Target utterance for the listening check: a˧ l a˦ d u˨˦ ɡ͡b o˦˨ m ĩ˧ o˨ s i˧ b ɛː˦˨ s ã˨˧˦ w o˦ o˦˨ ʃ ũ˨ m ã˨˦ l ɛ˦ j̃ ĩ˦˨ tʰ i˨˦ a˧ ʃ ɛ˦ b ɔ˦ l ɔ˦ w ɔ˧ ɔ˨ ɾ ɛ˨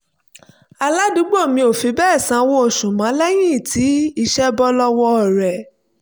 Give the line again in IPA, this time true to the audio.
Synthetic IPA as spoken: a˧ l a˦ d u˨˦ ɡ͡b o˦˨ m ĩ˧ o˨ f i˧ b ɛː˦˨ s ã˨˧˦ w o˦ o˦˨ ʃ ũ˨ m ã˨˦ l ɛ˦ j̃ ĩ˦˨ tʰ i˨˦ i˧ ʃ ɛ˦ b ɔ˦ l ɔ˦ w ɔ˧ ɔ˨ ɾ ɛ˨

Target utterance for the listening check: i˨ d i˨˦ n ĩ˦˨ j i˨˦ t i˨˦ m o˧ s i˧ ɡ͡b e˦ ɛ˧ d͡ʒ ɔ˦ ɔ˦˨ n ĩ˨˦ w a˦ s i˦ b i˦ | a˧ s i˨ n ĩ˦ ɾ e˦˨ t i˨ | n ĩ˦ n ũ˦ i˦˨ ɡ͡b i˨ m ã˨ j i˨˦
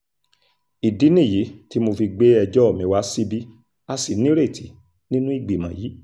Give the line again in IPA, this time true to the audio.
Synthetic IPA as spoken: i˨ d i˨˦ n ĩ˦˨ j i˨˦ t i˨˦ m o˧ f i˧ ɡ͡b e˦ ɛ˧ d͡ʒ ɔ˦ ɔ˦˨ m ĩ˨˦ w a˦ s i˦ b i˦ | a˧ s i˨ n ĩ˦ ɾ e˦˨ t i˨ | n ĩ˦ n ũ˦ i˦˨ ɡ͡b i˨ m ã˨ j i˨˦

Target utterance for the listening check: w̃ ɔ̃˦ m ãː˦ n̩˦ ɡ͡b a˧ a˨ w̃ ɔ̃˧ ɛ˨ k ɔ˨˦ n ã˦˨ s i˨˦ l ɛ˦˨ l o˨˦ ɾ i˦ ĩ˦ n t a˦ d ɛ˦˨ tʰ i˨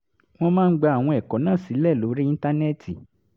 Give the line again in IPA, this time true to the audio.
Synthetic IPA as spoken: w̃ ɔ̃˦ m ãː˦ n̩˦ ɡ͡b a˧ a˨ w̃ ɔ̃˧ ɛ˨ k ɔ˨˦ n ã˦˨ s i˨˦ l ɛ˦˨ l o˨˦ ɾ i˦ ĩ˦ n t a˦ n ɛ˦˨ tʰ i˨

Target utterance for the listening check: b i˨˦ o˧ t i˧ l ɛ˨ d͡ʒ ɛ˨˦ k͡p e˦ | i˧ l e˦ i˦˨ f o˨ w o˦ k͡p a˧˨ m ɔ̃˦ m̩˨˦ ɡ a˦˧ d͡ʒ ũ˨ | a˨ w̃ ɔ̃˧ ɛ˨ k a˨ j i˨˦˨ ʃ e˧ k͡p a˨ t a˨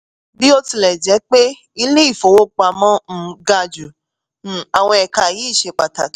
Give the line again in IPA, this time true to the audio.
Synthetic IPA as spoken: b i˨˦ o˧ t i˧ l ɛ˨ d͡ʒ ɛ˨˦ k͡p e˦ | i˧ l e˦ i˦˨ f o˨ w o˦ k͡p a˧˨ m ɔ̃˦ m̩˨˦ ɡ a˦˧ d͡ʒ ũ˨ | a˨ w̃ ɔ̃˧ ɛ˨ k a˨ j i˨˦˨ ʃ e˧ k͡p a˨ t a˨

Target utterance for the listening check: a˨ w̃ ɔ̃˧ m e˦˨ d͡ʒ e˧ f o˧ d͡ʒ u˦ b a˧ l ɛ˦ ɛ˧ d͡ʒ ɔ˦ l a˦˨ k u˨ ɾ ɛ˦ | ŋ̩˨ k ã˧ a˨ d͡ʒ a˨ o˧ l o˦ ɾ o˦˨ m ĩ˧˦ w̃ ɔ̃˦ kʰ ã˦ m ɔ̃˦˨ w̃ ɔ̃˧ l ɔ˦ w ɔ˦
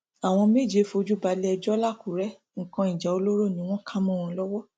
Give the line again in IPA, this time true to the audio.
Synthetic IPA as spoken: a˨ w̃ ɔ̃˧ m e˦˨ d͡ʒ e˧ f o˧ d͡ʒ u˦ b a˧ l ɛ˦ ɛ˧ d͡ʒ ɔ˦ l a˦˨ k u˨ ɾ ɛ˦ | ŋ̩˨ k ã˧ i˨ d͡ʒ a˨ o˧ l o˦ ɾ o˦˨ n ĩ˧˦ w̃ ɔ̃˦ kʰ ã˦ m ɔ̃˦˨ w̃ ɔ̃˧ l ɔ˦ w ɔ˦

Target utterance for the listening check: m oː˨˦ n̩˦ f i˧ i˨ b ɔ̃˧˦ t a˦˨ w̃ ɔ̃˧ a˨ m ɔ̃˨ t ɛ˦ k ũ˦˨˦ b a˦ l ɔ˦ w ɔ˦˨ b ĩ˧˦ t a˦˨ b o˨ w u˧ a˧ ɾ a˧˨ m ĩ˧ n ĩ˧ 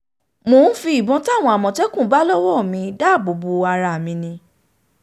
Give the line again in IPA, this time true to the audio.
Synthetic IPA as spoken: m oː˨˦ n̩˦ f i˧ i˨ b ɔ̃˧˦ t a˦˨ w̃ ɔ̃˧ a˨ m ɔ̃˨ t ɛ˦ k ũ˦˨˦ b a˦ l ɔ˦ w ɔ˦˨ m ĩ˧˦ d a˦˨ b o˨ b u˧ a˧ ɾ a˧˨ m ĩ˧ n ĩ˧

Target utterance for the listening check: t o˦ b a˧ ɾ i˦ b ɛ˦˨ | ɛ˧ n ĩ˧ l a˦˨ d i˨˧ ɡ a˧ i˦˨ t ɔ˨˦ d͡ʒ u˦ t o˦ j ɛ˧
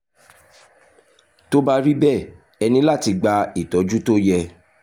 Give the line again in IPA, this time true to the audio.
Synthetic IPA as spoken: t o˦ b a˧ ɾ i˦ b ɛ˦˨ | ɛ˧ n ĩ˧ l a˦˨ t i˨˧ ɡ͡b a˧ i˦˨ t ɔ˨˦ d͡ʒ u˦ t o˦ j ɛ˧

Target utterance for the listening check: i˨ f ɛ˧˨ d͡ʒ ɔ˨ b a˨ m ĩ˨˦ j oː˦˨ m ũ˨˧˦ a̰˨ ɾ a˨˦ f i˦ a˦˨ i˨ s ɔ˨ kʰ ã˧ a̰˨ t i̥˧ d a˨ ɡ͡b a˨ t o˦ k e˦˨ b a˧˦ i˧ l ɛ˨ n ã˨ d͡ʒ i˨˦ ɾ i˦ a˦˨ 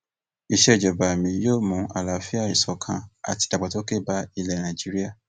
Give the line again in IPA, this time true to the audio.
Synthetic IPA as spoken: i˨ ʃ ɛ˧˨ d͡ʒ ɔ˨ b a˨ m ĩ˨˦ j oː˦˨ m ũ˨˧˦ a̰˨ l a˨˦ f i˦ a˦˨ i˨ s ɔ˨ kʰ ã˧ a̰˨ t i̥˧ d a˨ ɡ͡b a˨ t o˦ k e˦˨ b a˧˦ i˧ l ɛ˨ n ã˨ d͡ʒ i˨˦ ɾ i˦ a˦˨

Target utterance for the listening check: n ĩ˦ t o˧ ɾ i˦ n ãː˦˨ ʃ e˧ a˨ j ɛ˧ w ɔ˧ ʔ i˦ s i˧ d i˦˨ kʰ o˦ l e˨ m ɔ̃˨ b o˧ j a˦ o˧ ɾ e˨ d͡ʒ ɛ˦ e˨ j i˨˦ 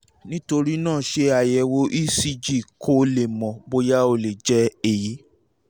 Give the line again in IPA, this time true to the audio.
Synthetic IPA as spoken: n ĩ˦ t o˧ ɾ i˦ n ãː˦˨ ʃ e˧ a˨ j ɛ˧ w o˧ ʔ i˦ s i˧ d͡ʒ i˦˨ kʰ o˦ l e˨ m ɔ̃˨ b o˧ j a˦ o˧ l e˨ d͡ʒ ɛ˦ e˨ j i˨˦

